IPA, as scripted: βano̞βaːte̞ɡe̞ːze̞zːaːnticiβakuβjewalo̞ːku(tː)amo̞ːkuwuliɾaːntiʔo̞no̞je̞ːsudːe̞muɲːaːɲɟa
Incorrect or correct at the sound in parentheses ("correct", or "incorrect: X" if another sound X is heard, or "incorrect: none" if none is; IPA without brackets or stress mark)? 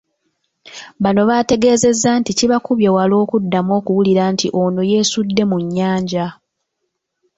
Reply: incorrect: dː